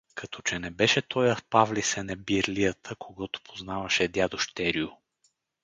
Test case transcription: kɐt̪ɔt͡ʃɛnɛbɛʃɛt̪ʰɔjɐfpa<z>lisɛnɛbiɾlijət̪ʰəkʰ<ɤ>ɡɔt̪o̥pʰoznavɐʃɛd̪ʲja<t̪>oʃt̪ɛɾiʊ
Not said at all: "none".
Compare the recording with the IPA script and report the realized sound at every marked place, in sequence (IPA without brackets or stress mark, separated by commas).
v, o, d̪